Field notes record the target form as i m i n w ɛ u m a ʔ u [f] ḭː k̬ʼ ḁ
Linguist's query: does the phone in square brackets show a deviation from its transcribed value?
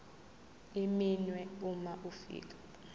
no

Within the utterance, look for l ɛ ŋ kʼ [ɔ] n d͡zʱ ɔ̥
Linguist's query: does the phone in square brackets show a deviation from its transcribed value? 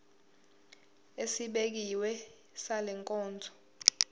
yes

